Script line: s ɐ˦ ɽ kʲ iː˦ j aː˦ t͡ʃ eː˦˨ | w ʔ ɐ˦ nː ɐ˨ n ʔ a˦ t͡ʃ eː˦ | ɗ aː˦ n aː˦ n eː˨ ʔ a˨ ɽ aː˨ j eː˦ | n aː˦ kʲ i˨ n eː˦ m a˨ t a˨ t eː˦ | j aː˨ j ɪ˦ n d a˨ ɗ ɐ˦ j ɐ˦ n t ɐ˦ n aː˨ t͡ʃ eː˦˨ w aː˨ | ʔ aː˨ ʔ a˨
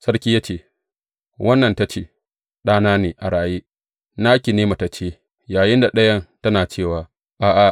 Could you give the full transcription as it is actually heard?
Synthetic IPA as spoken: s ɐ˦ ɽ kʲ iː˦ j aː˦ t͡ʃ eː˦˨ | w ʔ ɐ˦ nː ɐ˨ n t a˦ t͡ʃ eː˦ | ɗ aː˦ n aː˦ n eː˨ ʔ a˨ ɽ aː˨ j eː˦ | n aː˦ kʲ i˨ n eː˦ m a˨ t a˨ t͡ʃ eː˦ | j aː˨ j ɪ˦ n d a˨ ɗ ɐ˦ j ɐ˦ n t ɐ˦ n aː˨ t͡ʃ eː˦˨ w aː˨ | ʔ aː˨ ʔ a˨

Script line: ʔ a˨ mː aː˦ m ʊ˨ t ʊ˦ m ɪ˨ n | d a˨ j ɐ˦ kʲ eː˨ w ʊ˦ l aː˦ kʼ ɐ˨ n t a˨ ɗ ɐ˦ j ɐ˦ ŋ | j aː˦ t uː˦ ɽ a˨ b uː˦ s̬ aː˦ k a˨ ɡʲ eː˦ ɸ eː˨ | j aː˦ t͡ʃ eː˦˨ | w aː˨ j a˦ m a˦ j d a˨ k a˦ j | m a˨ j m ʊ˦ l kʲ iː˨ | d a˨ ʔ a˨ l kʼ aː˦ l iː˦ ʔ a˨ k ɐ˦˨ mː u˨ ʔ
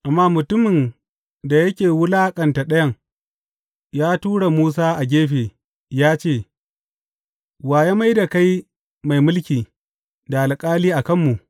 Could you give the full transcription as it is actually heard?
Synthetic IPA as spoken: ʔ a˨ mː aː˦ m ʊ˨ t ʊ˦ m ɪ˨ n | d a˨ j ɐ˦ kʲ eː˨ w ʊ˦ l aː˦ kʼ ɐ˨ n t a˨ ɗ ɐ˦ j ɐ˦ ŋ | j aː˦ t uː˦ ɽ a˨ m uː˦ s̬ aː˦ ʔ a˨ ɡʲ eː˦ ɸ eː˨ | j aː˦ t͡ʃ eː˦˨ | w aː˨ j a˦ m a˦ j d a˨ k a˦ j | m a˨ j m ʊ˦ l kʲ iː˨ | d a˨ ʔ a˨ l kʼ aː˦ l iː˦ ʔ a˨ k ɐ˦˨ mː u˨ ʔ

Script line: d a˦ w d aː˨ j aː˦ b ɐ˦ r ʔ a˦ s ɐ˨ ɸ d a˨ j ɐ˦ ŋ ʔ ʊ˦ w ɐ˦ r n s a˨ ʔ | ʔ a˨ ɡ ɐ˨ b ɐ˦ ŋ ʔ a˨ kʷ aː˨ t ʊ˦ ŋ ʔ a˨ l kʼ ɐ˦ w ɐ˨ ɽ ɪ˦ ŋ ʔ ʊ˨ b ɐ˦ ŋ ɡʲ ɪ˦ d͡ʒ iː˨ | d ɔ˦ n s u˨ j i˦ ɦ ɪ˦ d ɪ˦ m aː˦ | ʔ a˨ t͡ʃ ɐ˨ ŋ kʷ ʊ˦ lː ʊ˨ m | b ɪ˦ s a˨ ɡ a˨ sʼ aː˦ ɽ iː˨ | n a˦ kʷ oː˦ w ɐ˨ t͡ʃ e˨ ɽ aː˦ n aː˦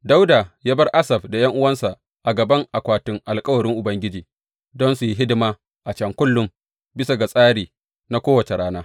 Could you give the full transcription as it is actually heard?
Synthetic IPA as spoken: d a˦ w d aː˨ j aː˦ b ɐ˦ r ʔ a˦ s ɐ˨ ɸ d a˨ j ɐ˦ ŋ ʔ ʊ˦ w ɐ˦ n s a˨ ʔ | ʔ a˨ ɡ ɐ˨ b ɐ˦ ŋ ʔ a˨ kʷ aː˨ t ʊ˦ ŋ ʔ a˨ l kʼ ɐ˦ w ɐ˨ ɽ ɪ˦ ŋ ʔ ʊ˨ b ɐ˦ ŋ ɡʲ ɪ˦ d͡ʒ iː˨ | d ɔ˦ n s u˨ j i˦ ɦ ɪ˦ d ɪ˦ m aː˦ | ʔ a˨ t͡ʃ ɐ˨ ŋ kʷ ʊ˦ lː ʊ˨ m | b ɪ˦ s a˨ ɡ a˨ sʼ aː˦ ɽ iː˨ | n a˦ kʷ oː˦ w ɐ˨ t͡ʃ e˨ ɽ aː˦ n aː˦

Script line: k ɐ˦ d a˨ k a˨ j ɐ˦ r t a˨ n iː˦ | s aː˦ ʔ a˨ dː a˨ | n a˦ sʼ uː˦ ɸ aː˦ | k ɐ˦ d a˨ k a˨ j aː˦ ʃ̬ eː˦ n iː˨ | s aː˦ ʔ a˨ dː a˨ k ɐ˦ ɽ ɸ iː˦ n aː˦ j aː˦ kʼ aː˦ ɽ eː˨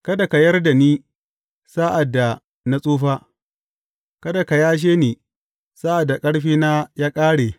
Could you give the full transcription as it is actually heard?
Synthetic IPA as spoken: k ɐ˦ d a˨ k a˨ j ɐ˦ r d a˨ n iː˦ | s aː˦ ʔ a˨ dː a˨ | n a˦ sʼ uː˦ ɸ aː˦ | k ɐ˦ d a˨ k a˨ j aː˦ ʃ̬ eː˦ n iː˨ | s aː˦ ʔ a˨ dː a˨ kʼ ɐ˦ ɽ ɸ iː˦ n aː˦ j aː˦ kʼ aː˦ ɽ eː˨

